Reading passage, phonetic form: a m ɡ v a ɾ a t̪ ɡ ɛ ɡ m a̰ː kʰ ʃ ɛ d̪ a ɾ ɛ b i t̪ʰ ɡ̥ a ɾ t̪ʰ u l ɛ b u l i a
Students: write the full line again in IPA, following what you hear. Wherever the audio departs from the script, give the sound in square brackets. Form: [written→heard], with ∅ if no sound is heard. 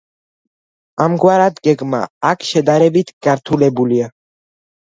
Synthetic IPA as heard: a m ɡ [v→w] a ɾ a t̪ ɡ ɛ ɡ m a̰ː kʰ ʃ ɛ d̪ a ɾ ɛ b i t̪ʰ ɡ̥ a ɾ t̪ʰ u l ɛ b u l i a

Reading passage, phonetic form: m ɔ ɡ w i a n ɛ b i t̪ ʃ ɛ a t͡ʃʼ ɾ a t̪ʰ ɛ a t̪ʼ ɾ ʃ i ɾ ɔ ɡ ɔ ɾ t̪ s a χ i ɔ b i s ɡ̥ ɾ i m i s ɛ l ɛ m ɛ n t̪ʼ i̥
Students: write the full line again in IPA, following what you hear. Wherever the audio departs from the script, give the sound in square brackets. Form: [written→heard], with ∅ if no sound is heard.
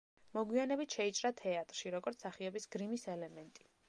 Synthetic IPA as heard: m ɔ ɡ w i a n ɛ b i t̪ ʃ ɛ [a→i] t͡ʃʼ ɾ a t̪ʰ ɛ a t̪ʼ ɾ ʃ i ɾ ɔ ɡ ɔ ɾ t̪ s a χ i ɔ b i s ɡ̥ ɾ i m i s ɛ l ɛ m ɛ n t̪ʼ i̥

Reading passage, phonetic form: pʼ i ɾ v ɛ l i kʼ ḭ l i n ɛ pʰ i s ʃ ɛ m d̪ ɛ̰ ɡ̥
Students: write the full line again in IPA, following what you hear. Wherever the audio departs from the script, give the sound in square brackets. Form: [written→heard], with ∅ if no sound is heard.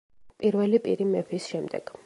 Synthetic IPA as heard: pʼ i ɾ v ɛ l i [kʼ→pʼ] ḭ [l→ɾ] i [n→m] ɛ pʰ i s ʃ ɛ m d̪ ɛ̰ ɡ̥

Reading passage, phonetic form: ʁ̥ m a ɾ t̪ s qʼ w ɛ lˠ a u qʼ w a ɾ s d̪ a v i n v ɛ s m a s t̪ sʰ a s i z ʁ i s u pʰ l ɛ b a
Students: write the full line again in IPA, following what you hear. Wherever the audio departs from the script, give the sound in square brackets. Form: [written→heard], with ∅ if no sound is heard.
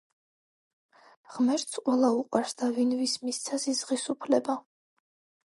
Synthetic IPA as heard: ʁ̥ m [a→ɛ] ɾ t̪ s qʼ w ɛ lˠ a u qʼ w a ɾ s d̪ a v i n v [ɛ→i] s m [a→i] s t̪ sʰ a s i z ʁ i s u pʰ l ɛ b a

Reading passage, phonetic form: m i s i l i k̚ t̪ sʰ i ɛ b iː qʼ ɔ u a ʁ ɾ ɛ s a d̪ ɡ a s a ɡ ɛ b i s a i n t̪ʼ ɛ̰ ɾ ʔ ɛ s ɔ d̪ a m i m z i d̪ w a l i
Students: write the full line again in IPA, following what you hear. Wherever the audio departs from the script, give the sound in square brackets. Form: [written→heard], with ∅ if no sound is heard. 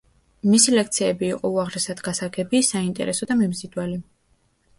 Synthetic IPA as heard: m i s i l [i→ɛ] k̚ t̪ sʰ i ɛ b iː qʼ ɔ u a ʁ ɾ ɛ s a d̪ ɡ a s a ɡ ɛ b i s a i n t̪ʼ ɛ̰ ɾ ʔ ɛ s ɔ d̪ a m i m z i d̪ w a l i

